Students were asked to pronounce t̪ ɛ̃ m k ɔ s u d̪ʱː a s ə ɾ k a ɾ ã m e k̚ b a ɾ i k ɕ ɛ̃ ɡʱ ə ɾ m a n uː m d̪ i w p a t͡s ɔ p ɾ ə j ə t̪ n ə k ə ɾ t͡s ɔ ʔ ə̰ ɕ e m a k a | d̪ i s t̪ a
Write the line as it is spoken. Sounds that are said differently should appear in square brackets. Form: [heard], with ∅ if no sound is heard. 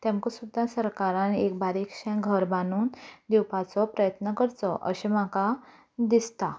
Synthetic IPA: t̪ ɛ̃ m k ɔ s u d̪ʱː a s ə ɾ k a ɾ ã [n] e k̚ b a ɾ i k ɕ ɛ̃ ɡʱ ə ɾ [b] a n uː [n] d̪ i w p a t͡s ɔ p ɾ ə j ə t̪ n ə k ə ɾ t͡s ɔ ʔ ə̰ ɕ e m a k a | d̪ i s t̪ a